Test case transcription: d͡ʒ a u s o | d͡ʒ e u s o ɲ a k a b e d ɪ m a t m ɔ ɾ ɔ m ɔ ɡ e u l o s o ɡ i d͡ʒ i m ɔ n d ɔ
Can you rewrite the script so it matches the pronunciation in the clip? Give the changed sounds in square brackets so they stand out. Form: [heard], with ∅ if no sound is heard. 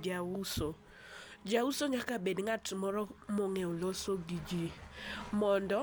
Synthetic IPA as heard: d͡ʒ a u s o | d͡ʒ [a] u s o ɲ a k a b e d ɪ [ŋ] a t m ɔ ɾ ɔ m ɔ [ŋ] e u l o s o ɡ i d͡ʒ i m ɔ n d ɔ